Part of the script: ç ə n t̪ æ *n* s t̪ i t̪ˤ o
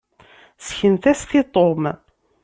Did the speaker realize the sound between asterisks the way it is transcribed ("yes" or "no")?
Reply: no